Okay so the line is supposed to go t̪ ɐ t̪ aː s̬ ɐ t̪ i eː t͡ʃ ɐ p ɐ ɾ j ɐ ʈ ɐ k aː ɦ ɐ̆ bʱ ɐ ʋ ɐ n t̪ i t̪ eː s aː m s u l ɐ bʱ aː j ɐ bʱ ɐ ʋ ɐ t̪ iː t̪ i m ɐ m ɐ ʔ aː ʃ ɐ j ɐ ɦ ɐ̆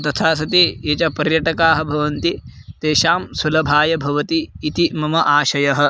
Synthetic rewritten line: t̪ ɐ t̪ʰ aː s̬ ɐ t̪ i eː t͡ʃ ɐ p ɐ ɾ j ɐ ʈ ɐ k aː ɦ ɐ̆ bʱ ɐ ʋ ɐ n t̪ i t̪ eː ʃ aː m s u l ɐ bʱ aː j ɐ bʱ ɐ ʋ ɐ t̪ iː t̪ i m ɐ m ɐ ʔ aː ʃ ɐ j ɐ ɦ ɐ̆